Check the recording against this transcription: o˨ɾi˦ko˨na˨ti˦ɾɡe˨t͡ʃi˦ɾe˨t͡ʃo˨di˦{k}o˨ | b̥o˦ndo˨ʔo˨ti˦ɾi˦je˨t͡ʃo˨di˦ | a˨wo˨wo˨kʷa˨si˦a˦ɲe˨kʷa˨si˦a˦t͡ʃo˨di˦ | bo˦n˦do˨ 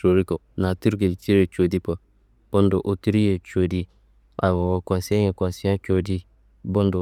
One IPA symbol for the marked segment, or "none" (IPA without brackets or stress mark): p